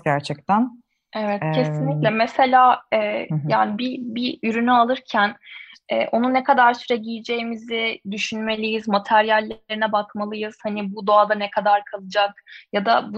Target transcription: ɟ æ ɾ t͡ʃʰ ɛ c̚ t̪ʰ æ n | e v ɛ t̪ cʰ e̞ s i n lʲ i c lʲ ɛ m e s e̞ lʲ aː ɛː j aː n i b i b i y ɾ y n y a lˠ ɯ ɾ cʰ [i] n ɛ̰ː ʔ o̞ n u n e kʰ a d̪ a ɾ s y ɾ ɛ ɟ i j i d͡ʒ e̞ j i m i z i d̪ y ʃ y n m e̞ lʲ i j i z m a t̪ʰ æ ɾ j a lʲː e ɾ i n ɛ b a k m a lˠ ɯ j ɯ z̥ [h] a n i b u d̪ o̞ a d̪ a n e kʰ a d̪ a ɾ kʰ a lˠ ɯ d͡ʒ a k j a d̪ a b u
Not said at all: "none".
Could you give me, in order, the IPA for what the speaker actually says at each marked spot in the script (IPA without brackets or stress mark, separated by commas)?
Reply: æ, h